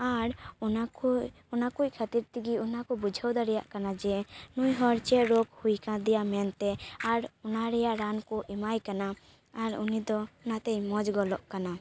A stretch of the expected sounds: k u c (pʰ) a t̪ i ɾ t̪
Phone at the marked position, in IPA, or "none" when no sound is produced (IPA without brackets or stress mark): kʰ